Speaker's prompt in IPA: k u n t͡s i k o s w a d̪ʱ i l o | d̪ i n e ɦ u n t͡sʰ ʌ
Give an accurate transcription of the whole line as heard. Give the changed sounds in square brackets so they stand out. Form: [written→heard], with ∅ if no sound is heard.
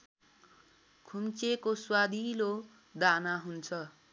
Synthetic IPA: [k→kʰ] u [n→m] t͡s [i→e] k o s w a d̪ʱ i l o | d̪ [i→a] n [e→a] ɦ u n t͡sʰ ʌ